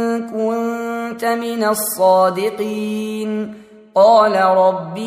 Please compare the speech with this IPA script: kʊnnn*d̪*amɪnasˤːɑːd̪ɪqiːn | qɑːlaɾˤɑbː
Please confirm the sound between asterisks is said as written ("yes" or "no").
no